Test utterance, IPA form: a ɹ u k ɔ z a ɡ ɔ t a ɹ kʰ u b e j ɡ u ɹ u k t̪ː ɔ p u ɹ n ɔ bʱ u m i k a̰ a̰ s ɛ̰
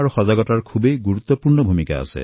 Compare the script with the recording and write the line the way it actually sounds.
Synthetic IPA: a ɹ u x ɔ z a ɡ ɔ t a ɹ kʰ u b e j ɡ u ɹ u t̪ː ɔ p u ɹ n ɔ bʱ u m i k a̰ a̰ s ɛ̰

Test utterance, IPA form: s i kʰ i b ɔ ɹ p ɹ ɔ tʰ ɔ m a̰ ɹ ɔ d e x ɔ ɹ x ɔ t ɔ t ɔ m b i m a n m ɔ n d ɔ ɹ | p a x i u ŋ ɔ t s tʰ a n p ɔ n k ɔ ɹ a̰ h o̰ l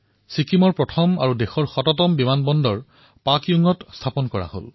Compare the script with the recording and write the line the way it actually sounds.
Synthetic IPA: s i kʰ i m ɔ ɹ p ɹ ɔ tʰ ɔ m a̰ ɹ u d e x ɔ ɹ x ɔ t ɔ t ɔ m b i m a n b ɔ n d ɔ ɹ | p a k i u ŋ ɔ t s tʰ a p ɔ n k ɔ ɹ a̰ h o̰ l

